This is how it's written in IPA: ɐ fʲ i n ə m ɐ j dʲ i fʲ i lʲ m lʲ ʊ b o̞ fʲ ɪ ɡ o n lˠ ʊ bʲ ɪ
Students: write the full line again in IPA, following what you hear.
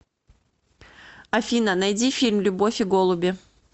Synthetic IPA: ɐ fʲ i n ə n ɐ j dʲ i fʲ i lʲ m lʲ ʊ b o̞ fʲ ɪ ɡ o lˠ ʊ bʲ ɪ

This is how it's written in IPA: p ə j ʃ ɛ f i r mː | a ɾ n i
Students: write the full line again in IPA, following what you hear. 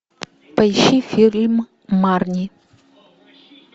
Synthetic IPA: p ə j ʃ i f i l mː | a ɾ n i

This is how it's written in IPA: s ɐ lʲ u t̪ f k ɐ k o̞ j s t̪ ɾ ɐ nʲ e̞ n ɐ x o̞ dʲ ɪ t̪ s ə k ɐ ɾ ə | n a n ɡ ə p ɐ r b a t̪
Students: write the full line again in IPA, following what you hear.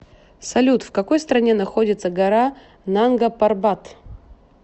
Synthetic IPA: s ɐ lʲ u t̪ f k ɐ k o̞ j s t̪ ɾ ɐ nʲ e̞ n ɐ x o̞ dʲ ɪ t̪ s ə ɡ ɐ ɾ a | n a n ɡ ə p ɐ r b a t̪

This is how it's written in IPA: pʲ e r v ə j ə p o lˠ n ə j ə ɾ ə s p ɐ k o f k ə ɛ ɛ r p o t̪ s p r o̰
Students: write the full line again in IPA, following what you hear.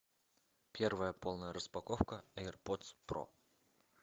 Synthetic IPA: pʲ e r v ə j ə p o lˠ n ə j ə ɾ ə s p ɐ k o f k ə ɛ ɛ r p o t̪ s p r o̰

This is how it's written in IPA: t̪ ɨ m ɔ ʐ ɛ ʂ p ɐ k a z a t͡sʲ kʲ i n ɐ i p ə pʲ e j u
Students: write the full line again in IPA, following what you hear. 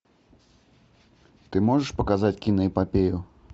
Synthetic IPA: t̪ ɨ m ɔ ʐ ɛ ʂ p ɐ k a z a t͡sʲ kʲ i n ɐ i p a pʲ e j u

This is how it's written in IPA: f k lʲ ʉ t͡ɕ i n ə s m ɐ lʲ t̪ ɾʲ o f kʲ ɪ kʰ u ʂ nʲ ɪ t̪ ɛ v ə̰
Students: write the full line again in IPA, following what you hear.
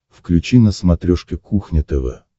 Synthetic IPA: f k lʲ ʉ t͡ɕ i n ə s m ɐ t̪ ɾʲ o ʂ kʲ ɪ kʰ u x nʲ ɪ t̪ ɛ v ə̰

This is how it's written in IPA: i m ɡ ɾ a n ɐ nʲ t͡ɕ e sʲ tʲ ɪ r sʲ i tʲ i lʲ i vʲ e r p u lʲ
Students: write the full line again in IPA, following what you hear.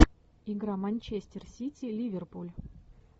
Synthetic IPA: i ɡ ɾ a m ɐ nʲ t͡ɕ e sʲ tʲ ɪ r sʲ i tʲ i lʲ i vʲ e r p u lʲ

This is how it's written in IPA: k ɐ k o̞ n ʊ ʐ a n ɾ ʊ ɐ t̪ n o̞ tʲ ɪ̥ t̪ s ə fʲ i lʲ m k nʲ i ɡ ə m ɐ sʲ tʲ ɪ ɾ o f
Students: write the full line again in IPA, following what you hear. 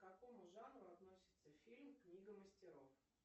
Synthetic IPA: k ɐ k o̞ m ʊ ʐ a n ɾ ʊ ɐ t̪ n o̞ sʲ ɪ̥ t̪ s ə fʲ i lʲ m k nʲ i ɡ ə m ə sʲ tʲ ɪ ɾ o f

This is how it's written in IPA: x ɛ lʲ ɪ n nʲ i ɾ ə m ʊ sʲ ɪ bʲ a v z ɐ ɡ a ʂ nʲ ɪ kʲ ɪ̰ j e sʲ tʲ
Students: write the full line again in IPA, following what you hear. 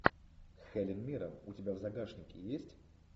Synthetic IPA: x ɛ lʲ ɪ n mʲ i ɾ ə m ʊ tʲ ɪ bʲ a v z ɐ ɡ a ʂ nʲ ɪ kʲ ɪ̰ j e sʲ tʲ

